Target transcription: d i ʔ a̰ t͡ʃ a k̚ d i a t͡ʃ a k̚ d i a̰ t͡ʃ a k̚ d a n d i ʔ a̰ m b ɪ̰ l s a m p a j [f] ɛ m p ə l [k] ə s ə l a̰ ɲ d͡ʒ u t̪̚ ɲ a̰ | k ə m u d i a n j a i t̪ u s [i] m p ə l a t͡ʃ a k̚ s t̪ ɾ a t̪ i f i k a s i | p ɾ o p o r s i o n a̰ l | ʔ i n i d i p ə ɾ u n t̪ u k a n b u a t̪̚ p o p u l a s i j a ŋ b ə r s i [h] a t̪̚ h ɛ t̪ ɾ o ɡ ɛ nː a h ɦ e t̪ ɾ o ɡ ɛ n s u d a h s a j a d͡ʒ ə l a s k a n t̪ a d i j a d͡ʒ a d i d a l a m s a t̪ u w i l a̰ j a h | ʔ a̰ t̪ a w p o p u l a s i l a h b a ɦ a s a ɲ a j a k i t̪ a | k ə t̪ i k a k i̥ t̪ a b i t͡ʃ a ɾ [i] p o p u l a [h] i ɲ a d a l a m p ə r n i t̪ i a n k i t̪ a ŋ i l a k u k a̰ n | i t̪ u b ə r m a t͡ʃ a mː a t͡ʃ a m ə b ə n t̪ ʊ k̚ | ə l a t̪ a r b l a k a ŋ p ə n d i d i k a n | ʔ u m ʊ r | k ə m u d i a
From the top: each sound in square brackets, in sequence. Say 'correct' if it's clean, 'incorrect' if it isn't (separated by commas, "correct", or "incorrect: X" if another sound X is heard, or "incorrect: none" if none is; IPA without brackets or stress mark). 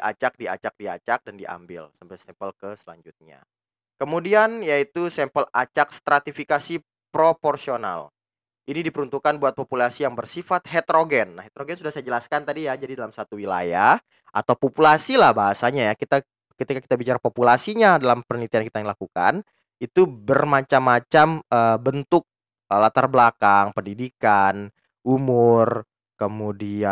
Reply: incorrect: s, correct, incorrect: ɛ, incorrect: f, incorrect: a, incorrect: s